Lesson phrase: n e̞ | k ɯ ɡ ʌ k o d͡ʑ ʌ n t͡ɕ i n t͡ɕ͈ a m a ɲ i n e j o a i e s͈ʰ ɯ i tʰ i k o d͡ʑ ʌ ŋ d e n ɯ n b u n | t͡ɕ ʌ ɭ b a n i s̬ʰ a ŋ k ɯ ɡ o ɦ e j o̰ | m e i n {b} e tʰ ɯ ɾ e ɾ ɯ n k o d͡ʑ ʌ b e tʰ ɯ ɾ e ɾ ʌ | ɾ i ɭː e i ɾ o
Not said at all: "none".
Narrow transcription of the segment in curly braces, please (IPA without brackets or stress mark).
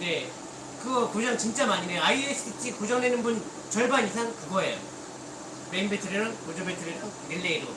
b